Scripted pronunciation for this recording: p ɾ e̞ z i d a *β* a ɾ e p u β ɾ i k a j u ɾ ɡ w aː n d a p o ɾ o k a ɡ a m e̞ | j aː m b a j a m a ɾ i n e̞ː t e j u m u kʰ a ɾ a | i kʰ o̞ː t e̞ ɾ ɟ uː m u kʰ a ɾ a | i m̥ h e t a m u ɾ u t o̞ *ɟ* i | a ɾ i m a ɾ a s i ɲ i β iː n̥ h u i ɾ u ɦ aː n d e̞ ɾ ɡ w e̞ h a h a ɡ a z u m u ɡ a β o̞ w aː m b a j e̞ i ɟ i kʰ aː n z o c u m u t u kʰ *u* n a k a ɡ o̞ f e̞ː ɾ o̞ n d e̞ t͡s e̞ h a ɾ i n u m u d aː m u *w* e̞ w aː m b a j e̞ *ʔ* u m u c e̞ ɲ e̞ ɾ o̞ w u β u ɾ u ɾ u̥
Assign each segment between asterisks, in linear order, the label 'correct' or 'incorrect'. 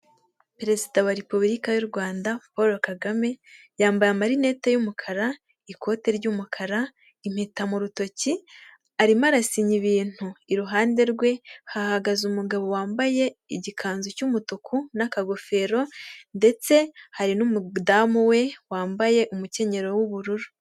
incorrect, incorrect, correct, correct, correct

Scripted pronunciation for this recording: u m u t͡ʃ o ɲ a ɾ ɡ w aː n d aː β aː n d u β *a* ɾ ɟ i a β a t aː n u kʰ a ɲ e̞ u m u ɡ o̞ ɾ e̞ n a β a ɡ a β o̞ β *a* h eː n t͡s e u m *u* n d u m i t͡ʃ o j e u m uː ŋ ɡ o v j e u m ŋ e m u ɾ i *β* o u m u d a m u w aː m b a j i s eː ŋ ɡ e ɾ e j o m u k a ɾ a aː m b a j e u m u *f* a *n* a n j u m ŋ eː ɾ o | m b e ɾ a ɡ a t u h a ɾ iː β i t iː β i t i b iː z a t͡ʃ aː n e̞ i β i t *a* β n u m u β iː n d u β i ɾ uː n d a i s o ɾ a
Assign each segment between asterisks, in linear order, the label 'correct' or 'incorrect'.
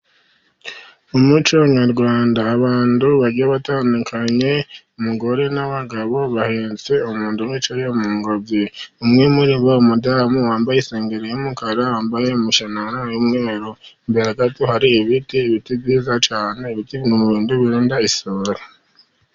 correct, correct, incorrect, correct, incorrect, correct, incorrect

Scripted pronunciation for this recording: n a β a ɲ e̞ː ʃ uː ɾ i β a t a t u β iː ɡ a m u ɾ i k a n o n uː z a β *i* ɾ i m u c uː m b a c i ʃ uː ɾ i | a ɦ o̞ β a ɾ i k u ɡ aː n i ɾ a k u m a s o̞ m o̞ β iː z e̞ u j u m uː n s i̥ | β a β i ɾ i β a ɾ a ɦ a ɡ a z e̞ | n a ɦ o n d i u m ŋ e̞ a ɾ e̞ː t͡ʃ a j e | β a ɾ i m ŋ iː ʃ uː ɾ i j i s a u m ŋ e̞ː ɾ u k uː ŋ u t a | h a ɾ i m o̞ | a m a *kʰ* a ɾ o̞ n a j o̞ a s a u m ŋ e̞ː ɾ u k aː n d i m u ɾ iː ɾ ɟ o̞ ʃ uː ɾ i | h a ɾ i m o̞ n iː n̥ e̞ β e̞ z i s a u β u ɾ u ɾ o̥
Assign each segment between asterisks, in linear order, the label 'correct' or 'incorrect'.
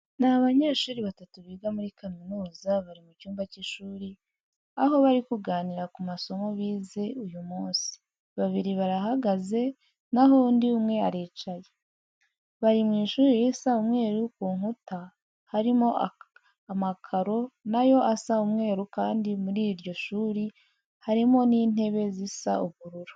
incorrect, correct

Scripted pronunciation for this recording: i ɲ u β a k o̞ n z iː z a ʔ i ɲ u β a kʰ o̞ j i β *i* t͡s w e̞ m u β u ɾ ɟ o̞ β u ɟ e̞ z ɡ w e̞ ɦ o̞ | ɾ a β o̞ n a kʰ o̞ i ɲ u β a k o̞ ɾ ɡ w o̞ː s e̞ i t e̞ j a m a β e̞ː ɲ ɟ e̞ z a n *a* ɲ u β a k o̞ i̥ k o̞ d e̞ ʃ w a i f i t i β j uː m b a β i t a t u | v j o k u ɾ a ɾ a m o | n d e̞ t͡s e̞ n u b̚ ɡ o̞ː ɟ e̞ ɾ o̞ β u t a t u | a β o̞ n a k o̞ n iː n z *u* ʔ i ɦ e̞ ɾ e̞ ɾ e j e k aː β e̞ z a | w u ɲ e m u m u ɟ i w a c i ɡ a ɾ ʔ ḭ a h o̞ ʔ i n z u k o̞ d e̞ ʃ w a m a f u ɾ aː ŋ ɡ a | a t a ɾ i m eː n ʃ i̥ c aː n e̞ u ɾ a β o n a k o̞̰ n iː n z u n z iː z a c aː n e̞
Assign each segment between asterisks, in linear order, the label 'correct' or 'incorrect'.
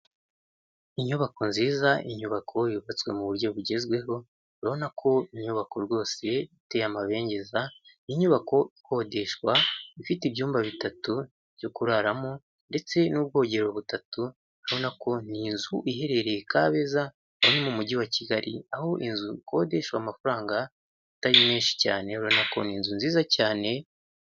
incorrect, incorrect, correct

